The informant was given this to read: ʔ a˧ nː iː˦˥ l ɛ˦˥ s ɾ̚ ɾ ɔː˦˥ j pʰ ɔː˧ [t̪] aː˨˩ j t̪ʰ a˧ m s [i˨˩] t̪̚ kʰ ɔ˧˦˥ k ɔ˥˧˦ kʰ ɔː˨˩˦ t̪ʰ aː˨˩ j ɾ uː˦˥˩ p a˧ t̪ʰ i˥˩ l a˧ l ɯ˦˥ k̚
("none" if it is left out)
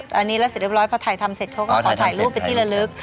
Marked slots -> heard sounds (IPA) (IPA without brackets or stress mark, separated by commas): t̪ʰ, e˨˩